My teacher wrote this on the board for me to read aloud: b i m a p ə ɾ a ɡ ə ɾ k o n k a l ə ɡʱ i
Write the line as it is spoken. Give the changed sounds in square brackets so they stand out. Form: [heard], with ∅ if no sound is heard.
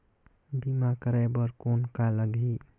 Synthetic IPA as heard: b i m a [k] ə ɾ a [b] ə ɾ k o n k a l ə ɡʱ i